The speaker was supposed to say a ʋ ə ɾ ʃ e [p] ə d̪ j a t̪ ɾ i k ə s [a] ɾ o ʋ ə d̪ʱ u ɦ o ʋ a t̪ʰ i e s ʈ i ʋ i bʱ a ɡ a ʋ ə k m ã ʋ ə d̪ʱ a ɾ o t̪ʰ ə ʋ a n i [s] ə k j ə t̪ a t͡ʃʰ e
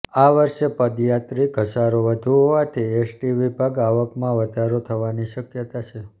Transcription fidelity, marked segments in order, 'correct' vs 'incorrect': correct, correct, incorrect

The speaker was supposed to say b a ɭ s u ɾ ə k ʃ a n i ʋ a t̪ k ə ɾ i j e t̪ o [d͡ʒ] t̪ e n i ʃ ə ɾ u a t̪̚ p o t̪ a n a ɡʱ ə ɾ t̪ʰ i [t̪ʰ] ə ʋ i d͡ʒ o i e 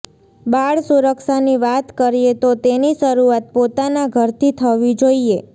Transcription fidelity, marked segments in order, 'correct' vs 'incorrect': incorrect, correct

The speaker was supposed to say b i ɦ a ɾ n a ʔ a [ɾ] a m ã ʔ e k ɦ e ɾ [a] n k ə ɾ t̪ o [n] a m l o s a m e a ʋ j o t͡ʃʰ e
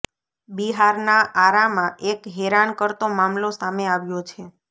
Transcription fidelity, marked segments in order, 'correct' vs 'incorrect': correct, correct, incorrect

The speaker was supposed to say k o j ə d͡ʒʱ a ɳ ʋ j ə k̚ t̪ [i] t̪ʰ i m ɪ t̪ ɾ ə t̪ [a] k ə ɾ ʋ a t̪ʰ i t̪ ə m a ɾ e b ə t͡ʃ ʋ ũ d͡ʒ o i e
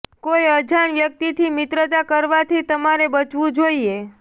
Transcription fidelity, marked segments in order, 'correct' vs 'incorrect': correct, correct

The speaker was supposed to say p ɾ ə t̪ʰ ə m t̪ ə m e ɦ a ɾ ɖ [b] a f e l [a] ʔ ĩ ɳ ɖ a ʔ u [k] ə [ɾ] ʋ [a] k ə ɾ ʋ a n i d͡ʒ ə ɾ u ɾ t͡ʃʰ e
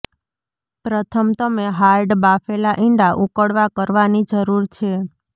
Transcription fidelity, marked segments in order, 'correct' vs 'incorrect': correct, correct, correct, incorrect, correct

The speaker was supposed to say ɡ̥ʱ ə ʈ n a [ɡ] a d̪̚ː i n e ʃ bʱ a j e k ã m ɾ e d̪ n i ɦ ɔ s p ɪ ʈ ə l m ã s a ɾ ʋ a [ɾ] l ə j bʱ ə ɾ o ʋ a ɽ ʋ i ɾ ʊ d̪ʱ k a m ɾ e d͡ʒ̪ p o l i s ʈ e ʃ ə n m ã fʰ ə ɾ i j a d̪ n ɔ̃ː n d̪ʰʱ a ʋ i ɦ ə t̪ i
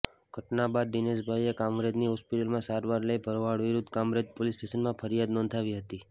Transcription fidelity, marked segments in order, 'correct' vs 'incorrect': incorrect, correct

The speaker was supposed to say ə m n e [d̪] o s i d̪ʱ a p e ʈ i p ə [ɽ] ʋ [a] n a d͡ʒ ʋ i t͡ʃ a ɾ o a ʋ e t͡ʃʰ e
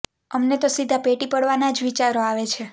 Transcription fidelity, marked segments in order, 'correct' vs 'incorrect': incorrect, correct, correct

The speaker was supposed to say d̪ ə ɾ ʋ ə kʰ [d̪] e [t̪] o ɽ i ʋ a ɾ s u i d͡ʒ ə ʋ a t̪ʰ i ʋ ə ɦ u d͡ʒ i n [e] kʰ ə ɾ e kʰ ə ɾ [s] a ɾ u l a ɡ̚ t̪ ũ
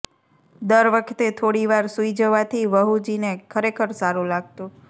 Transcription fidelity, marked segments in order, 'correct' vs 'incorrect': incorrect, incorrect, correct, correct

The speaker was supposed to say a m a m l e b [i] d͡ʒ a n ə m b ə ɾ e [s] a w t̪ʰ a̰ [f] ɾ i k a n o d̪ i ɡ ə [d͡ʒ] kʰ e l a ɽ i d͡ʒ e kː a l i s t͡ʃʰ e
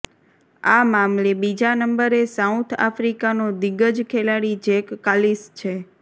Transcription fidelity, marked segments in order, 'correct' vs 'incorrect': correct, correct, correct, correct

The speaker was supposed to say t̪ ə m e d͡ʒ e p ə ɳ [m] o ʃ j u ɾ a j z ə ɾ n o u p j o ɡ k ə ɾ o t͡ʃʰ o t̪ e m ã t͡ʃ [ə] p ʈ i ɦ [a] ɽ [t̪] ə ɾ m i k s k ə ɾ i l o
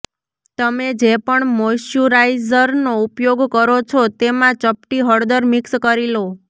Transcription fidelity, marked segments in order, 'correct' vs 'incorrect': correct, correct, incorrect, incorrect

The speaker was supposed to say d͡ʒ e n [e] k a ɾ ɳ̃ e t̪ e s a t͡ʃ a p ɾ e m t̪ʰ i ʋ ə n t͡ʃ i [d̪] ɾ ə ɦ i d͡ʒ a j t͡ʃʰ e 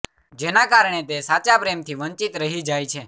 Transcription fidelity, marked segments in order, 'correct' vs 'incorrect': incorrect, incorrect

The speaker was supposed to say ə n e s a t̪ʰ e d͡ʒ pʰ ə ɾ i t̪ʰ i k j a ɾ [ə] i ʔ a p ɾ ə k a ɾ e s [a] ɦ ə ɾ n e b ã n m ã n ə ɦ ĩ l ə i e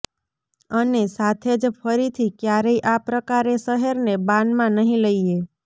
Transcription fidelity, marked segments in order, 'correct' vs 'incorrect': correct, incorrect

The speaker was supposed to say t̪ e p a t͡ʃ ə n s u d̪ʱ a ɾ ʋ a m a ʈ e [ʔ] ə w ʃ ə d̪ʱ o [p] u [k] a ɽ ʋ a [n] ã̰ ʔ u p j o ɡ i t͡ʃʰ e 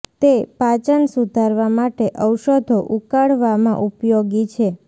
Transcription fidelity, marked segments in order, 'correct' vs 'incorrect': correct, incorrect, correct, incorrect

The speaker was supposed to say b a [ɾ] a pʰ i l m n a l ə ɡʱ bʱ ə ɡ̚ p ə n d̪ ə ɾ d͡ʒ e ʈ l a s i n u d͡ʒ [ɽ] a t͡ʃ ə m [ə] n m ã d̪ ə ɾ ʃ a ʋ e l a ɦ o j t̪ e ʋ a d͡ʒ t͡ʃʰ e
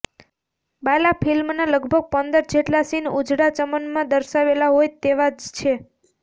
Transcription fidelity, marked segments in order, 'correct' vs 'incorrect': incorrect, correct, correct

